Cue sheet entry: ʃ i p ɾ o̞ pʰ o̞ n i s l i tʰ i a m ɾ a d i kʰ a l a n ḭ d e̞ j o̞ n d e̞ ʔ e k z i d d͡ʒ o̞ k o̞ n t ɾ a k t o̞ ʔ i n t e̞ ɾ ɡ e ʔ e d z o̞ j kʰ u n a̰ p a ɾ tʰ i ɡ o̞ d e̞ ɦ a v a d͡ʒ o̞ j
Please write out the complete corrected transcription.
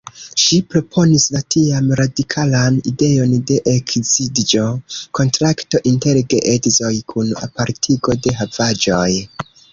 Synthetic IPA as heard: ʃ i p ɾ o̞ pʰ o̞ n i s l a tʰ i a m ɾ a d i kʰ a l a n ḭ d e̞ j o̞ n d e̞ ʔ e k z i d d͡ʒ o̞ k o̞ n t ɾ a k t o̞ ʔ i n t e̞ ɾ ɡ e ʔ e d z o̞ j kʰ u n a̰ p a ɾ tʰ i ɡ o̞ d e̞ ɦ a v a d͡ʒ o̞ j